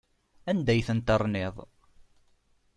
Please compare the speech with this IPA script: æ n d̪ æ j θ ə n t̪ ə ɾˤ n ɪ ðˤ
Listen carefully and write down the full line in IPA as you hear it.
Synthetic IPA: æ n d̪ æ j θ ə n t̪ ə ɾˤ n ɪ ðˤ